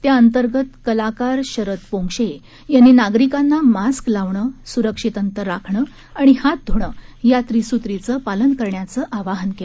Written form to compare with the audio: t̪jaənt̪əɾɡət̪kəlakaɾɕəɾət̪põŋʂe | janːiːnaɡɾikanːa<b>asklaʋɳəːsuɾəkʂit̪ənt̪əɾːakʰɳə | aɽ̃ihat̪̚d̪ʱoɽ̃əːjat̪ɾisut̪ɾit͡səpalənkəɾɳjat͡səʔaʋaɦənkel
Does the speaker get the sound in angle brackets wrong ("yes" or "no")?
yes